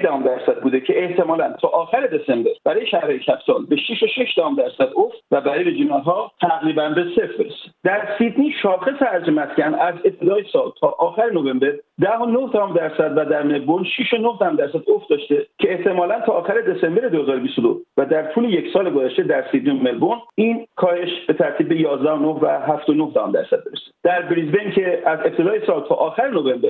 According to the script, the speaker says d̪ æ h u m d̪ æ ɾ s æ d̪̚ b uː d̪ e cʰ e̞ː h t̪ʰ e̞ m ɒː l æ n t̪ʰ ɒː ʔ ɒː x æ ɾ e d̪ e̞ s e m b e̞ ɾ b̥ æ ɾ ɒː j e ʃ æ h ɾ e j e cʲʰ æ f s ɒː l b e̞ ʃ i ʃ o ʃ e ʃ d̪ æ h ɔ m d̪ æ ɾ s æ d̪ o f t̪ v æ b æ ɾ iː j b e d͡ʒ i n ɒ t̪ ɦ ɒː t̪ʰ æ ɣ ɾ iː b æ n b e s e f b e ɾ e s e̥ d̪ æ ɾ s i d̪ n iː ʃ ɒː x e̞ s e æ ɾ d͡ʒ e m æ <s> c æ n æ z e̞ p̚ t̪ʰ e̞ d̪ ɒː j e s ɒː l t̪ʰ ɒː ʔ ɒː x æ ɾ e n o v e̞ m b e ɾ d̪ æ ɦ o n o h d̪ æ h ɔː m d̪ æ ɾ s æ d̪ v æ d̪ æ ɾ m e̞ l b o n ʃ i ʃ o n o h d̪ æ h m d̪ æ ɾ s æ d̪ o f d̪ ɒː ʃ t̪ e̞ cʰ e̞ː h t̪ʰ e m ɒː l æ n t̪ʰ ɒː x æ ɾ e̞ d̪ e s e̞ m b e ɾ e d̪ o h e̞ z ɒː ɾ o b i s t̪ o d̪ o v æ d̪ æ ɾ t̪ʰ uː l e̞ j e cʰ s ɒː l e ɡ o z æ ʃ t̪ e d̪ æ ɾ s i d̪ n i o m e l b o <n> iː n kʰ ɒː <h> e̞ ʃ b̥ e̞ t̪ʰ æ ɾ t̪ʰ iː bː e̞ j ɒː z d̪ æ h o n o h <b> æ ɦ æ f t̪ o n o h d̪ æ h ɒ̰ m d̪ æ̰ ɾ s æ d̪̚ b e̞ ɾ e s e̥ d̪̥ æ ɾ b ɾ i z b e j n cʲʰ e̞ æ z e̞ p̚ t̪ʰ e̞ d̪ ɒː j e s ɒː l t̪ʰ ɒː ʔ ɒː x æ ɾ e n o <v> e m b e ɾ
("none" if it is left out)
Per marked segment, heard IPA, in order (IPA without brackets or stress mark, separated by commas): s, n, h, v, v